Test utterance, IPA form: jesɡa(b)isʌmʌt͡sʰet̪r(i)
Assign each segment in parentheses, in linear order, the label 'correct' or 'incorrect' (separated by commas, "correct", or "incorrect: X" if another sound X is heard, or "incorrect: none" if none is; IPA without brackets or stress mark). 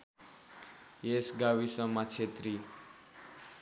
incorrect: w, correct